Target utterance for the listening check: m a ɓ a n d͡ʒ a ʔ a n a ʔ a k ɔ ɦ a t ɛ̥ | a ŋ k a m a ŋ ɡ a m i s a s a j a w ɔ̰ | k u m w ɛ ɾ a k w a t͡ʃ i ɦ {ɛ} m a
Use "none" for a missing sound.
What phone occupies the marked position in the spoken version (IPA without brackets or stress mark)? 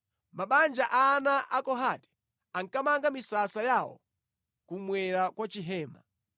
ɛː